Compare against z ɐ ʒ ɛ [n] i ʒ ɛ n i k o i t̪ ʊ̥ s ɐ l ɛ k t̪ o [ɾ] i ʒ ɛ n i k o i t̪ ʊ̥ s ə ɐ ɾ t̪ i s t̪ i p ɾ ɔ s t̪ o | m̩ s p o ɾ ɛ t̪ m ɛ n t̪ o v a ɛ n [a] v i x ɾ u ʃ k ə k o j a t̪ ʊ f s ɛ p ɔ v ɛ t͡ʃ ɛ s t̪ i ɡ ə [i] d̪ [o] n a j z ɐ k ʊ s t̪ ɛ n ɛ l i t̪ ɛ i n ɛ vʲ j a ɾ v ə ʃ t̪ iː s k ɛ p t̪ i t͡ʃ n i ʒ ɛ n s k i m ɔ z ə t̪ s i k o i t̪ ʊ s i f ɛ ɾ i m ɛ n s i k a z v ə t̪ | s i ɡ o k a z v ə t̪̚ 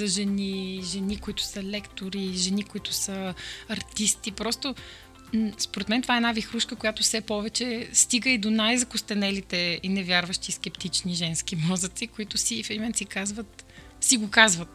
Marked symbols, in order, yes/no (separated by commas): yes, yes, yes, yes, yes